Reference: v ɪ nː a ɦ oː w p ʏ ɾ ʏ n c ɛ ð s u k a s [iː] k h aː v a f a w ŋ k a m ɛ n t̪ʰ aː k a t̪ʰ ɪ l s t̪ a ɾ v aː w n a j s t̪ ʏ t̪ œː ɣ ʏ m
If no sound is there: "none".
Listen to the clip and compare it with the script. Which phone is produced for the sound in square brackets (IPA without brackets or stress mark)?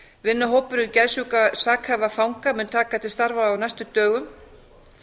aː